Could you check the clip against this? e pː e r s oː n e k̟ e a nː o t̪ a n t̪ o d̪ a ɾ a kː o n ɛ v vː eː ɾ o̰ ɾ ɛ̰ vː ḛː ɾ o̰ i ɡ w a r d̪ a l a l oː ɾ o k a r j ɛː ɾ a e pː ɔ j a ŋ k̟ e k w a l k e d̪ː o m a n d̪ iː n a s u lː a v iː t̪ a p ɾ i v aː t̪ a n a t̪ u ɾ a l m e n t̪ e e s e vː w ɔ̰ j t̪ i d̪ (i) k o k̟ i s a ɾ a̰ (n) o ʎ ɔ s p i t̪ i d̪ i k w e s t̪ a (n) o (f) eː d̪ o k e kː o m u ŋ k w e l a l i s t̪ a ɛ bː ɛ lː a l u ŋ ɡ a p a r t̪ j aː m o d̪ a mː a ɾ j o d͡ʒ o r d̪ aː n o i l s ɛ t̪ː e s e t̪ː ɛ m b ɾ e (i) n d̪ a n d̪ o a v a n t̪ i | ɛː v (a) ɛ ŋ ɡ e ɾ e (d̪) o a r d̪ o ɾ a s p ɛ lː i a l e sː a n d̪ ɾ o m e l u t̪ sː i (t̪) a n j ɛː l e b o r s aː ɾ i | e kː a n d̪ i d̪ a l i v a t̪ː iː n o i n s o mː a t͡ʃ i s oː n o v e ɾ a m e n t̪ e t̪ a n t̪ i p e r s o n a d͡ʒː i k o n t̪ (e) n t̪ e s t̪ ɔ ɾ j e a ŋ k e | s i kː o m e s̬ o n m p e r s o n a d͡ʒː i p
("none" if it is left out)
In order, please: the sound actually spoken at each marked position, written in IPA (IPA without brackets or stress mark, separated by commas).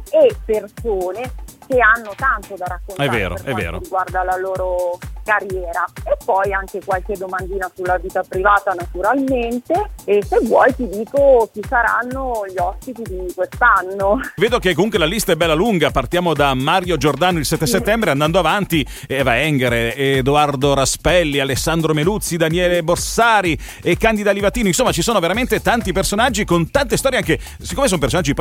iː, nː, nː, v, a, a, d̪, d̪, a